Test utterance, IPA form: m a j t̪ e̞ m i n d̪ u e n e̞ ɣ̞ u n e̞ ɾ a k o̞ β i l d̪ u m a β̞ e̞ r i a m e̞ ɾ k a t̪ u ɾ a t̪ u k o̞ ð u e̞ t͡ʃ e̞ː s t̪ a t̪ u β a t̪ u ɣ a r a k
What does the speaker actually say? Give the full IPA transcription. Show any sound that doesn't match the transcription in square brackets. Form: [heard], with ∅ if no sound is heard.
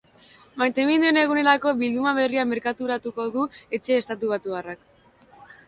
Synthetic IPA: m a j t̪ e̞ m i n d̪ u e n e̞ ɣ̞ u n e̞ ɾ a k o̞ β i l d̪ u m a β̞ e̞ r i a m e̞ ɾ k a t̪ u ɾ a t̪ u k o̞ ð u e̞ t͡ʃ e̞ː s t̪ a t̪ u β a t̪ u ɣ a r a k